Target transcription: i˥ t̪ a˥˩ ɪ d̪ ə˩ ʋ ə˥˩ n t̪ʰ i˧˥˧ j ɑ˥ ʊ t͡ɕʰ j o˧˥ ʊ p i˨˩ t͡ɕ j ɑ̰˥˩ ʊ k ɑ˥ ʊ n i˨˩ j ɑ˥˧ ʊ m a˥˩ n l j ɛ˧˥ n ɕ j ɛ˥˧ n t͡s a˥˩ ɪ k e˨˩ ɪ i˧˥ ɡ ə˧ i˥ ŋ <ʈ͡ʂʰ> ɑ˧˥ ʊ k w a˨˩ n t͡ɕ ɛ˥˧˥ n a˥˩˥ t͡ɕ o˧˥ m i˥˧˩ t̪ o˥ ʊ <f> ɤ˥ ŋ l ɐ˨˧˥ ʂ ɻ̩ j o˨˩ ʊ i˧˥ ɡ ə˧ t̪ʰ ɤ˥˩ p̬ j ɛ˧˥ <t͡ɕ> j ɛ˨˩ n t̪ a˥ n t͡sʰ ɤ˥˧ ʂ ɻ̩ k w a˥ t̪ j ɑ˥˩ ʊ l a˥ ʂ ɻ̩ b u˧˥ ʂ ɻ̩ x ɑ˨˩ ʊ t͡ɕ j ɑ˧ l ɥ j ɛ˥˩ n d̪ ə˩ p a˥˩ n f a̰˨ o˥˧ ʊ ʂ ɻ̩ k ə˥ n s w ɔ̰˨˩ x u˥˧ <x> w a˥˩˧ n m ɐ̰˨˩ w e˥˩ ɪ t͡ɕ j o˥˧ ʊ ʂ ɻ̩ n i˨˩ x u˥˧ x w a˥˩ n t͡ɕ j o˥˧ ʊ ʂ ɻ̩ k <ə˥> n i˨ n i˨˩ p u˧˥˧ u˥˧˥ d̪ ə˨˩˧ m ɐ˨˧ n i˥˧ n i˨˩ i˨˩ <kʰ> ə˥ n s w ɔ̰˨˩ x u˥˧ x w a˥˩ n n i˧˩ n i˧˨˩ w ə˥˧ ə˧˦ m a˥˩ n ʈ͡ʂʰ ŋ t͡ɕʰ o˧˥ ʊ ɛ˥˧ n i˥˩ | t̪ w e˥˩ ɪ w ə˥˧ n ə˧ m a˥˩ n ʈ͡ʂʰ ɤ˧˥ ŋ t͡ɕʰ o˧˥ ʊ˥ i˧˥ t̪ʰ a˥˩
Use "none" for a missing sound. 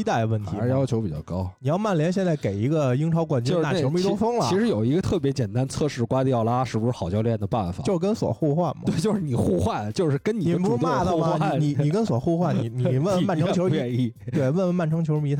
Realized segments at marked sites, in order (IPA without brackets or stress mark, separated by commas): ʈ͡ʂʰ, f, t͡ɕ, x, ə˥, k